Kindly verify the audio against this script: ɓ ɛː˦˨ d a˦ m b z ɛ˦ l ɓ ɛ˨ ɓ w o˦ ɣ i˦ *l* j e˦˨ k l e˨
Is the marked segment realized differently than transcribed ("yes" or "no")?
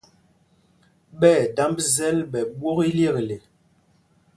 no